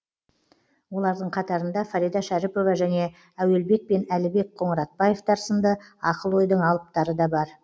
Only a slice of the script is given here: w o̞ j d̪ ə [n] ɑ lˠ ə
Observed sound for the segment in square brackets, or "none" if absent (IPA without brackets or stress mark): ɴ